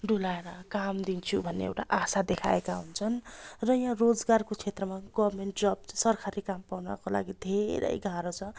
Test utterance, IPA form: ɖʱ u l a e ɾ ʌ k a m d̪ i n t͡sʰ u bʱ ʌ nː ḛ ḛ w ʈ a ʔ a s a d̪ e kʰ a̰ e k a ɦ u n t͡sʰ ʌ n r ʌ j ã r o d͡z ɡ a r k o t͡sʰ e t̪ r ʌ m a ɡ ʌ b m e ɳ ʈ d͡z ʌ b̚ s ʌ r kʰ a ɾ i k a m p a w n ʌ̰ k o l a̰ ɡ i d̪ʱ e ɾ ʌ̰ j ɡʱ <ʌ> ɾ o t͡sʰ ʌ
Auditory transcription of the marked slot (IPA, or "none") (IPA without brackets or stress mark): a